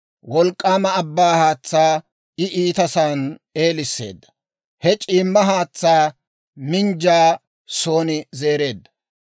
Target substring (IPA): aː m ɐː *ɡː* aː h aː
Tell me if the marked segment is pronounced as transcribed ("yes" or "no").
no